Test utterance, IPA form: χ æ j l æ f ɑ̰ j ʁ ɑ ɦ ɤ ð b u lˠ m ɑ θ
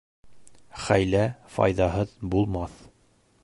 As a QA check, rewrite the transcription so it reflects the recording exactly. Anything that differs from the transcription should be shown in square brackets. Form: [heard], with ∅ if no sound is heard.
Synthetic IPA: χ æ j l æ f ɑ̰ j [ð] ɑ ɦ ɤ ð b u lˠ m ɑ θ